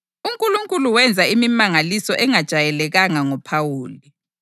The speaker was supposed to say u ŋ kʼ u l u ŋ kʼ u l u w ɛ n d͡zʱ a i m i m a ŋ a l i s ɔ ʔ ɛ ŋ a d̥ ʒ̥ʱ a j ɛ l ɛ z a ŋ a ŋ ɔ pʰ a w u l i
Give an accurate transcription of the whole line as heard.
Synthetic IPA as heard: u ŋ kʼ u l u ŋ kʼ u l u w ɛ n d͡zʱ a i m i m a ŋ a l i s ɔ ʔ ɛ ŋ a d̥ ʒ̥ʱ a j ɛ l ɛ ɣ a ŋ a ŋ ɔ pʰ a w uː l i